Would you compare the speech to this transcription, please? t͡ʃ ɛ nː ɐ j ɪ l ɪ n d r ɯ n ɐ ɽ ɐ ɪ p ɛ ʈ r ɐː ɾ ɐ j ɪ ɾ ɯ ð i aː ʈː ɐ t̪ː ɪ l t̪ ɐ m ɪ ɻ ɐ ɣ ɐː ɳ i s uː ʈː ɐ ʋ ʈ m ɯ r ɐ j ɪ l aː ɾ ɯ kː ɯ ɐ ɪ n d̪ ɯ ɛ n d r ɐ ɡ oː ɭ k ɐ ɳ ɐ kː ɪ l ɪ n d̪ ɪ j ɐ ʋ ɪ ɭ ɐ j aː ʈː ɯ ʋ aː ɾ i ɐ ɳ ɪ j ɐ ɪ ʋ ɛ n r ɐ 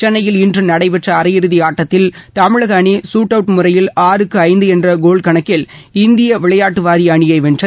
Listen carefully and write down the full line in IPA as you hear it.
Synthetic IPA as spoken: t͡ʃ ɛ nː ɐ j ɪ l ɪ n d r ɯ n ɐ ɽ ɐ ɪ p ɛ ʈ r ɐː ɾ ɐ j ɪ ɾ ɯ ð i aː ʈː ɐ t̪ː ɪ l t̪ ɐ m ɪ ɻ ɐ ɣ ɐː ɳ i s uː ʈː ɐ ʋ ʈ m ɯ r ɐ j ɪ l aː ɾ ɯ kː ɯ ɐ ɪ n d̪ ɯ ɛ n d r ɐ ɡ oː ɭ k ɐ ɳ ɐ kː ɪ l ɪ n d̪ ɪ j ɐ ʋ ɪ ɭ ɐ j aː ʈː ɯ ʋ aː ɾ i ɐ ɳ ɪ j ɐ ɪ ʋ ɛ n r ɐ

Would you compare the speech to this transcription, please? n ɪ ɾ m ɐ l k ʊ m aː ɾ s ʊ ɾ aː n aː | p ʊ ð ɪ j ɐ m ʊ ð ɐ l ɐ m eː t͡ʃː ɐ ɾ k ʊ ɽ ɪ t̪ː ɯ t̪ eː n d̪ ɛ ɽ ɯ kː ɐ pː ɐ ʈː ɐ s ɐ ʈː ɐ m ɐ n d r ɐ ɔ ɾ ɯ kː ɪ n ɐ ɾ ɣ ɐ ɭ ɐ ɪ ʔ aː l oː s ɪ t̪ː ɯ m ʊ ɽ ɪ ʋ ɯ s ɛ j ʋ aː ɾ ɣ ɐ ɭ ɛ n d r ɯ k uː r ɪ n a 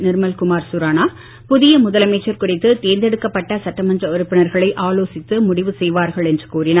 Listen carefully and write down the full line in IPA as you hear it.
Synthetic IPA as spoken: n ɪ ɾ m ɐ l k ʊ m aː ɾ s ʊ ɾ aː n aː | p ʊ ð ɪ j ɐ m ʊ ð ɐ l ɐ m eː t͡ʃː ɐ ɾ k ʊ r ɪ t̪ː ɯ t̪ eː n d̪ ɛ ɽ ɯ kː ɐ pː ɐ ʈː ɐ s ɐ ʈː ɐ m ɐ n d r ɐ ɔ ɾ ɯ pː ɪ n ɐ ɾ ɣ ɐ ɭ ɐ ɪ ʔ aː l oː s ɪ t̪ː ɯ m ʊ ɽ ɪ ʋ ɯ s ɛ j ʋ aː ɾ ɣ ɐ ɭ ɛ n d r ɯ k uː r ɪ n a

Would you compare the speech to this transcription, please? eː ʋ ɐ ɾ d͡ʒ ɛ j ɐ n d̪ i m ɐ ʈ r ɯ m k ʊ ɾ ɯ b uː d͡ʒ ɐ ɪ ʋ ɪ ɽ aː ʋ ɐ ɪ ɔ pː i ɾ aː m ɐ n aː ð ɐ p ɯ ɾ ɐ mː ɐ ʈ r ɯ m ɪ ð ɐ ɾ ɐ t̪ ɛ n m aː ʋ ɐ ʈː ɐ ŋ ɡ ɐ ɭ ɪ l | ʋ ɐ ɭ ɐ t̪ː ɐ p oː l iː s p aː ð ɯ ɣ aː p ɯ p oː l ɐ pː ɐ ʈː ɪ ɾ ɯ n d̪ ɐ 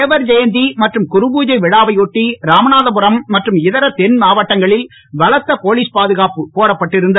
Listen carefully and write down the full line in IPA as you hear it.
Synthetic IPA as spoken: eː ʋ ɐ ɾ d͡ʒ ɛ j ɐ n d̪ i m ɐ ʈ r ɯ m k ʊ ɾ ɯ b uː d͡ʒ ɐ ɪ ʋ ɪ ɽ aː ʋ ɐ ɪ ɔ ʈː i ɾ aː m ɐ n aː ð ɐ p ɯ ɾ ɐ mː ɐ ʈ r ɯ m ɪ ð ɐ ɾ ɐ t̪ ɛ n m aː ʋ ɐ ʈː ɐ ŋ ɡ ɐ ɭ ɪ l | ʋ ɐ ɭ ɐ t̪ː ɐ p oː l iː s p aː ð ɯ ɣ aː p ɯ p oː ɽ ɐ pː ɐ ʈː ɪ ɾ ɯ n d̪ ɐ

